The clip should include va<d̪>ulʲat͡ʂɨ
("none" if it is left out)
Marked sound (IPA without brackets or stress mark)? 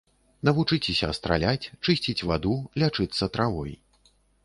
d̪